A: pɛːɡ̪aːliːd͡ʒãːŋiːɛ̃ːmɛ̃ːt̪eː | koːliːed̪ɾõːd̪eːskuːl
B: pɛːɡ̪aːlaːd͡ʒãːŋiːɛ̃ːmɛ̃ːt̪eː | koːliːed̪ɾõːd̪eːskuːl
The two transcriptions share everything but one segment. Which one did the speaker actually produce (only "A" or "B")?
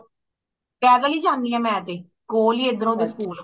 A